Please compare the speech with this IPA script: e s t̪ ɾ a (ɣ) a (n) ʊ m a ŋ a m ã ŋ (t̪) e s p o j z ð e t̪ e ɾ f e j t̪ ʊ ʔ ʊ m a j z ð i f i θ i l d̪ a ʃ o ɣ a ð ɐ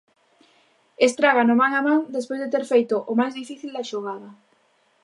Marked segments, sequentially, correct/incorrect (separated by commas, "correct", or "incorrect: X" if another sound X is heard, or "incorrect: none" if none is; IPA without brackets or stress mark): correct, correct, incorrect: d̪